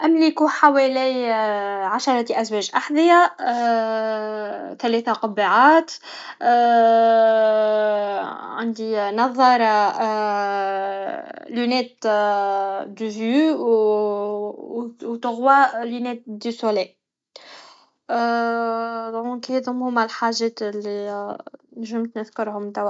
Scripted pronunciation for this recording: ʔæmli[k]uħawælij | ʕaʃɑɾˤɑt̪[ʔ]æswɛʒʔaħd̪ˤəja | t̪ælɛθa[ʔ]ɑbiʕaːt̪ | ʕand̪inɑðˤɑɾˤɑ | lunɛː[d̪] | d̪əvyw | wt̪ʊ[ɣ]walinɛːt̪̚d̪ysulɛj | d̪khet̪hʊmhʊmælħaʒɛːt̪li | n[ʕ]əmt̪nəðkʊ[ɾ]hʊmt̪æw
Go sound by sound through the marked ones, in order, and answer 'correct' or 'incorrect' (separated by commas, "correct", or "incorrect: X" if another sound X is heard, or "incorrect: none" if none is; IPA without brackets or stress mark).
correct, correct, incorrect: q, incorrect: t̪, correct, incorrect: ʒ, correct